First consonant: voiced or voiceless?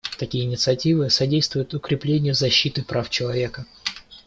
voiceless